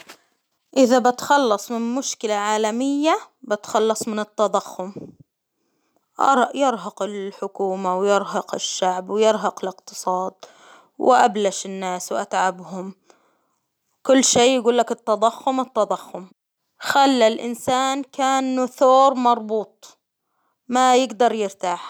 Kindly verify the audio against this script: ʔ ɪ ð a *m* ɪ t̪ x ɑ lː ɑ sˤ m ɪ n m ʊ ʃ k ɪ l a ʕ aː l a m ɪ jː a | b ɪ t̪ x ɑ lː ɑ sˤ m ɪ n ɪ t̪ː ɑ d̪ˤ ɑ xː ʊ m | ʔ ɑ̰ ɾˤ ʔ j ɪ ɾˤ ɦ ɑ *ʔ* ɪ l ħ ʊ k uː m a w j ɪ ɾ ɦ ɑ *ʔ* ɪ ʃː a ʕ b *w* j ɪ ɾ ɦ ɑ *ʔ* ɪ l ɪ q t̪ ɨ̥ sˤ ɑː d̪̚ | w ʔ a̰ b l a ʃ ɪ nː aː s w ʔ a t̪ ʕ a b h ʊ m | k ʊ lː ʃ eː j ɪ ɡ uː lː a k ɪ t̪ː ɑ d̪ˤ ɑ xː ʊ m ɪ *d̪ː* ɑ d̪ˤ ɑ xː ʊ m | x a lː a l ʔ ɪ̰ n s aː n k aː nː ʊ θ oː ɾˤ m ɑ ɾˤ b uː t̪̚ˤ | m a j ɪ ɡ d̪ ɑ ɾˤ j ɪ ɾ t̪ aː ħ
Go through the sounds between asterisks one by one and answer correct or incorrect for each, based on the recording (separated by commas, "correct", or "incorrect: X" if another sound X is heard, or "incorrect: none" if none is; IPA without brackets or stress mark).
incorrect: b, incorrect: q, incorrect: q, correct, incorrect: q, incorrect: t̪ː